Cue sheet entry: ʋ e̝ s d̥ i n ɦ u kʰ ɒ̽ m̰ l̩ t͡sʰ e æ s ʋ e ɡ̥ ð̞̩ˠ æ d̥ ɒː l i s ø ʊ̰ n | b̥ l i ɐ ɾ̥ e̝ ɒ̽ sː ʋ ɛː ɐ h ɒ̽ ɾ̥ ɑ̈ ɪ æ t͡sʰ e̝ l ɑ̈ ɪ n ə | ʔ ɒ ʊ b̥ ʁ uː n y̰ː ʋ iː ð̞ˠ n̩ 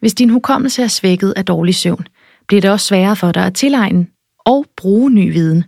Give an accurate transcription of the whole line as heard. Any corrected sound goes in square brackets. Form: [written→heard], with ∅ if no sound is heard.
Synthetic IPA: ʋ e̝ s d̥ i n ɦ u kʰ ɒ̽ m̰ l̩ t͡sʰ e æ s ʋ e ɡ̥ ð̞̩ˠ æ d̥ ɒː l i s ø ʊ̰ n | b̥ l i ɐ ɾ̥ e̝ ɒ̽ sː ʋ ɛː ɐ [h→f] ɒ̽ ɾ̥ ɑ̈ ɪ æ t͡sʰ e̝ l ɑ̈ ɪ n ə | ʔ ɒ ʊ b̥ ʁ uː n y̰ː ʋ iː ð̞ˠ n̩